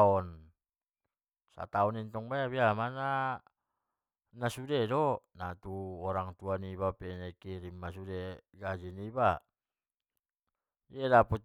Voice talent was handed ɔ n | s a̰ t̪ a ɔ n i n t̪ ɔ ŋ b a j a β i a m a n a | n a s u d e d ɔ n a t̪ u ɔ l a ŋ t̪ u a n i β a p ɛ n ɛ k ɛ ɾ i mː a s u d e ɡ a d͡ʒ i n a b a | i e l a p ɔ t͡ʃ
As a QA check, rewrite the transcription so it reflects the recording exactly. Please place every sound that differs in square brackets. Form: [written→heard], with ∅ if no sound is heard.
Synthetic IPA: ɔ n | s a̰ t̪ a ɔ n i n t̪ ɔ ŋ b a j a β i a m a n a | n a s u d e d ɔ n a t̪ u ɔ [l→ɾ] a ŋ t̪ u a n i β a p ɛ n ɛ k [ɛ→i] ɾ i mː a s u d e ɡ a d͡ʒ i n [a→i] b a | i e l a p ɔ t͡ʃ